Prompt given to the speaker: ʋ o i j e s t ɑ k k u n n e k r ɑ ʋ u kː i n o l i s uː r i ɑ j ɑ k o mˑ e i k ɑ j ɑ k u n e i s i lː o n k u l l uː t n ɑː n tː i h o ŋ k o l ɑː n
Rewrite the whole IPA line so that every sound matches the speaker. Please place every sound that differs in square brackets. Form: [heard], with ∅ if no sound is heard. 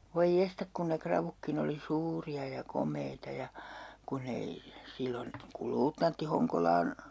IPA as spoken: ʋ o i j e s t ɑ k k u n n e k r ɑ ʋ u kː i n o l i s uː r i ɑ j ɑ k o mˑ e i [t] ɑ j ɑ k u n e i s i lː o n k u l l uː t n [ɑ] n tː i h o ŋ k o l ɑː n